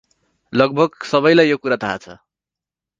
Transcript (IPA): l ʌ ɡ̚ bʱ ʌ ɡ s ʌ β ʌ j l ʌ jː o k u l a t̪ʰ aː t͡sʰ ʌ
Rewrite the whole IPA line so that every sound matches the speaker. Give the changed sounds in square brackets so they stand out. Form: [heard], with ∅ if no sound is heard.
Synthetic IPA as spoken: l ʌ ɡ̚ bʱ ʌ ɡ s ʌ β ʌ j l [a] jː o k u [ɾ] a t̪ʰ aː t͡sʰ ʌ

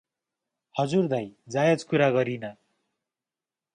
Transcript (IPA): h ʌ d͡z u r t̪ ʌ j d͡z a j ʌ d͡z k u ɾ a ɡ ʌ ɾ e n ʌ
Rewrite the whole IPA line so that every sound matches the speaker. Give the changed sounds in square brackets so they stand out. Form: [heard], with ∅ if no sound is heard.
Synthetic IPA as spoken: h ʌ d͡z u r [d̪] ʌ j d͡z a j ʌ d͡z k u ɾ a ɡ ʌ ɾ [i] n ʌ

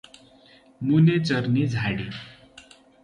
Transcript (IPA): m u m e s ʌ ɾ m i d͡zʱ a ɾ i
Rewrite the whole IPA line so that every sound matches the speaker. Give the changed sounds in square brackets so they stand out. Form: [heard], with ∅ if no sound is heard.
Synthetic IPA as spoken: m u [n] e [t͡s] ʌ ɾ [n] i d͡zʱ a [ɽ] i

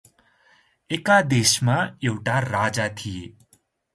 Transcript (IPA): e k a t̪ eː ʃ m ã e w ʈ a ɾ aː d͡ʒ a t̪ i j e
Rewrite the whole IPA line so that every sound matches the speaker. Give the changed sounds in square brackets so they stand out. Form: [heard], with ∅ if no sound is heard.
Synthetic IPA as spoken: e k a [d̪] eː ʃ m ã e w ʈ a ɾ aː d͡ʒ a [t̪ʰ] i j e

